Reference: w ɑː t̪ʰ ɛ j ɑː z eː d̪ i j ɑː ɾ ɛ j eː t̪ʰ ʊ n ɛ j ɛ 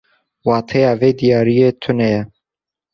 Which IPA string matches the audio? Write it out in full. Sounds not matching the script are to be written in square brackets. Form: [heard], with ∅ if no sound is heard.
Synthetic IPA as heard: w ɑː t̪ʰ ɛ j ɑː [v] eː d̪ i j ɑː ɾ [i] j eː t̪ʰ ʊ n ɛ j ɛ